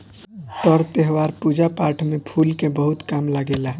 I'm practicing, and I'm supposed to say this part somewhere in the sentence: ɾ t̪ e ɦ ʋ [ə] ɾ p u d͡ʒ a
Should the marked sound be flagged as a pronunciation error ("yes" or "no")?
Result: yes